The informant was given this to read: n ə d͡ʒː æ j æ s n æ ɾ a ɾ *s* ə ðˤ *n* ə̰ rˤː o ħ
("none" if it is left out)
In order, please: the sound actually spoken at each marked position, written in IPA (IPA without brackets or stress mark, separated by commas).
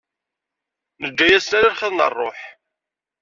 χ, n